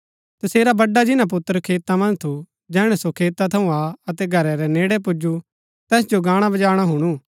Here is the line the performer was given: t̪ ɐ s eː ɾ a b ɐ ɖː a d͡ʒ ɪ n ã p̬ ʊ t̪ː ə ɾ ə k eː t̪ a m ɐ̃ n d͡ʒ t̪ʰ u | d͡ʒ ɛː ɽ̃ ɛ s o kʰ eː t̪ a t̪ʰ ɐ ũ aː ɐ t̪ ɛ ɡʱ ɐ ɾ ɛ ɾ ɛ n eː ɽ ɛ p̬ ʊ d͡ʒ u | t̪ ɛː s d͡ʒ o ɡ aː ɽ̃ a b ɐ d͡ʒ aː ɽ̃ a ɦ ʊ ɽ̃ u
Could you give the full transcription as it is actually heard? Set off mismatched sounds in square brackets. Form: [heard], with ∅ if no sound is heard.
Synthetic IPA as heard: t̪ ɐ s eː ɾ a b ɐ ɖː a d͡ʒ ɪ n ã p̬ ʊ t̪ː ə ɾ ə [kʰ] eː t̪ a m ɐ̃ n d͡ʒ t̪ʰ u | d͡ʒ ɛː ɽ̃ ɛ s o kʰ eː t̪ a t̪ʰ ɐ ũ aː ɐ t̪ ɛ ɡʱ ɐ ɾ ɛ ɾ ɛ n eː ɽ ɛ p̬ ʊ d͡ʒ u | t̪ ɛː s d͡ʒ o ɡ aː ɽ̃ a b ɐ d͡ʒ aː ɽ̃ a ɦ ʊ ɽ̃ u